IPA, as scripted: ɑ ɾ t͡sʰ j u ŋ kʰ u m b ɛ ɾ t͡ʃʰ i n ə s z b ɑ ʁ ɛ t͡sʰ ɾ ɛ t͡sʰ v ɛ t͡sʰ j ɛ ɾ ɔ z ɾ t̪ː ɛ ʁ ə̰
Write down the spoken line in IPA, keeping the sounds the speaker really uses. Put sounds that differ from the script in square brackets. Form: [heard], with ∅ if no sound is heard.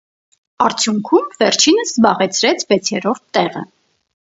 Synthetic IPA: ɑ ɾ t͡sʰ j u ŋ kʰ u m [v] ɛ ɾ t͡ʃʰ i n ə s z b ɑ ʁ ɛ t͡sʰ ɾ ɛ t͡sʰ v ɛ t͡sʰ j ɛ ɾ ɔ [∅] ɾ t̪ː ɛ ʁ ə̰

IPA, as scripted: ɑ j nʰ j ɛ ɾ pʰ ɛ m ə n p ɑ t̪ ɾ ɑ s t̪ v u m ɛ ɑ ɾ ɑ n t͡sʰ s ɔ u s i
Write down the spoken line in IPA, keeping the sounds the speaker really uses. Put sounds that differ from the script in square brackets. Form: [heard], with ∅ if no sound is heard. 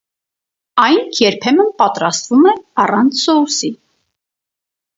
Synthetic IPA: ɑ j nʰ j ɛ ɾ pʰ ɛ m ə n p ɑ t̪ ɾ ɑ s t̪ v u m ɛ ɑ [r] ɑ n t͡sʰ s ɔ u s i

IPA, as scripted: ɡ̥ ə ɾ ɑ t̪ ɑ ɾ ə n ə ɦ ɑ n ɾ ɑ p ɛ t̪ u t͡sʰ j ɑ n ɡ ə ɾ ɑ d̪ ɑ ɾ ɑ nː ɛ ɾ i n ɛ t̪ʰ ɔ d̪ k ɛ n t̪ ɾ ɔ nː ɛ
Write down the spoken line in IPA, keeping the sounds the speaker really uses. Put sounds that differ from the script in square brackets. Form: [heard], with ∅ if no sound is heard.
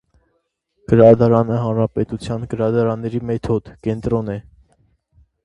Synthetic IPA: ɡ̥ ə ɾ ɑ [d̪] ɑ ɾ [ɑ] n ə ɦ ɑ n ɾ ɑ p ɛ t̪ u t͡sʰ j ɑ n ɡ ə ɾ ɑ d̪ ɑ ɾ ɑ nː ɛ ɾ i [m] ɛ t̪ʰ ɔ d̪ k ɛ n t̪ ɾ ɔ [n] ɛ

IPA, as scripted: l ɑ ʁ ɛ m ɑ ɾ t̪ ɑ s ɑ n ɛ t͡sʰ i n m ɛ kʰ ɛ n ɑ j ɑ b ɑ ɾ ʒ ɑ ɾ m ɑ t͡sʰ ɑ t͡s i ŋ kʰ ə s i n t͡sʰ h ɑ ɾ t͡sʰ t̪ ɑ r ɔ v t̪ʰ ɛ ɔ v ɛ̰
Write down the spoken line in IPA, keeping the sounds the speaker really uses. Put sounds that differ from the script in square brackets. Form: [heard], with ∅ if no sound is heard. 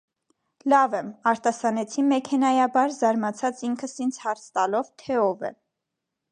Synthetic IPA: l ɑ [v] ɛ m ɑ ɾ t̪ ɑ s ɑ n ɛ t͡sʰ i n m ɛ kʰ ɛ n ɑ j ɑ b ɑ ɾ [z] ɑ ɾ m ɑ t͡sʰ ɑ t͡s i ŋ kʰ ə s i n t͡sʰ h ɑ ɾ t͡sʰ t̪ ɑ [l] ɔ v t̪ʰ ɛ ɔ v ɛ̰

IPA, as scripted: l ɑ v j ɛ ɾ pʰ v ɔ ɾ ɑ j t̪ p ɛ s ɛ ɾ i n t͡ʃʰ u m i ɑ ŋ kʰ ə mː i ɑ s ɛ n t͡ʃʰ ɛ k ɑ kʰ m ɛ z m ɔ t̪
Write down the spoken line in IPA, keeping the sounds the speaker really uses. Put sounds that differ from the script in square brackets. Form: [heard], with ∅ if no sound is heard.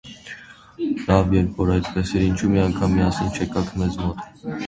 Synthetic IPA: l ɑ v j ɛ ɾ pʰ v ɔ ɾ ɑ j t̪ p ɛ s ɛ ɾ i n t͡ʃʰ u m i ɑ ŋ kʰ [ɑ] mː i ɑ s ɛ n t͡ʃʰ ɛ k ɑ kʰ m ɛ z m ɔ t̪

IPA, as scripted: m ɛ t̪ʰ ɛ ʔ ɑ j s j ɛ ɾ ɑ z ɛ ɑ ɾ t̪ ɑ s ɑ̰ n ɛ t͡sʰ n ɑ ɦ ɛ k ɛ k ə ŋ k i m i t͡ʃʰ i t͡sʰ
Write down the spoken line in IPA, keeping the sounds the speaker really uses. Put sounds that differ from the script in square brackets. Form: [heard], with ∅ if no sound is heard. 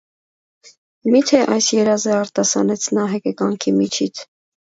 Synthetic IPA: m [i] t̪ʰ ɛ ʔ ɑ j s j ɛ ɾ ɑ z ɛ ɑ ɾ t̪ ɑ s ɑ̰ n ɛ t͡sʰ n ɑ ɦ ɛ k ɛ k [ɑ] ŋ [kʰ] i m i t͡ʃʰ i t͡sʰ

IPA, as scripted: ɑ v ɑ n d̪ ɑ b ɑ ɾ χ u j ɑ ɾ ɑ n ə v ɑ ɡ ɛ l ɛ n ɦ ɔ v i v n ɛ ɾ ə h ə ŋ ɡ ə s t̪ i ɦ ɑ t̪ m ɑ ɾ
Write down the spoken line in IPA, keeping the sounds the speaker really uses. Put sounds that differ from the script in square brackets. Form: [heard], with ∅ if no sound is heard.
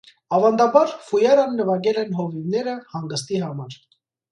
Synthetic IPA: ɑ v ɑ n d̪ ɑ b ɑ ɾ [f] u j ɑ ɾ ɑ [nː] ə v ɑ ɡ ɛ l ɛ n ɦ ɔ v i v n ɛ ɾ ə h [ɑ] ŋ ɡ ə s t̪ i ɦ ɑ [∅] m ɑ ɾ

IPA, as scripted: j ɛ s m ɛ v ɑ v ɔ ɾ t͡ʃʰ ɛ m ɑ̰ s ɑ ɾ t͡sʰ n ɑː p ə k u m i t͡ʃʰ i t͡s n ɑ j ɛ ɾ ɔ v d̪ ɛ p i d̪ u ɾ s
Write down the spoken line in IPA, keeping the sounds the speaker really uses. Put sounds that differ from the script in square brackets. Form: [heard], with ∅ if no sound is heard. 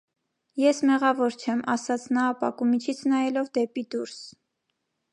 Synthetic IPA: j ɛ s m ɛ [ʁ] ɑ v ɔ ɾ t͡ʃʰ ɛ m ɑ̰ s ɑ [∅] t͡sʰ n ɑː p [ɑ] k u m i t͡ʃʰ i [t͡sʰ] n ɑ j ɛ [l] ɔ v d̪ ɛ p i d̪ u ɾ s

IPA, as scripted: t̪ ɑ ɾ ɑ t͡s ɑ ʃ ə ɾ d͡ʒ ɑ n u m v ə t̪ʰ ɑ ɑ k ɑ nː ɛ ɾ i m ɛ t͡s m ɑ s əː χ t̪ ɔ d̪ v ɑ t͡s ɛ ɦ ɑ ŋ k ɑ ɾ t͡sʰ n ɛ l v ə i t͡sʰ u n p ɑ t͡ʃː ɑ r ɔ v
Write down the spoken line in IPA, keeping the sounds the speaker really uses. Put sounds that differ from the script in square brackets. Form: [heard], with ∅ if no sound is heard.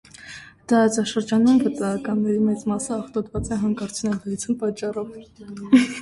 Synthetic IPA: t̪ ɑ ɾ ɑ t͡s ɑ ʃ ə ɾ d͡ʒ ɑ n u m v ə [t̪] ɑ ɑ k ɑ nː ɛ ɾ i m ɛ t͡s m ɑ s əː χ t̪ ɔ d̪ v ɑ t͡s ɛ ɦ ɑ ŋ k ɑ ɾ t͡sʰ n ɛ l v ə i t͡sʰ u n p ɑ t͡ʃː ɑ r ɔ v

